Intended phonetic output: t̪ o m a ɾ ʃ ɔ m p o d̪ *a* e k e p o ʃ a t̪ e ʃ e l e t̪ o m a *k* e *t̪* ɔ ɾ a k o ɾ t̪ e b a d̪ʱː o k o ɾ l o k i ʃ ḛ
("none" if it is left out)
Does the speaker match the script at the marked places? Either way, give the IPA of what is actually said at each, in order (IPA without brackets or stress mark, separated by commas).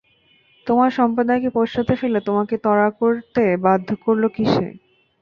a, k, t̪